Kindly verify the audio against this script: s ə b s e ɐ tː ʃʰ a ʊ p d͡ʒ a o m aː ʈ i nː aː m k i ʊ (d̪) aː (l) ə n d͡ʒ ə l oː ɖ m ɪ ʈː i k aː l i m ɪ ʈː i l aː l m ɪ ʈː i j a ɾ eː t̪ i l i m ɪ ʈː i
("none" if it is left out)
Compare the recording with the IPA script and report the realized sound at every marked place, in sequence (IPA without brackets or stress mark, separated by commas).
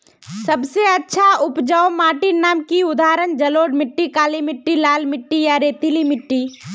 d̪, ɾ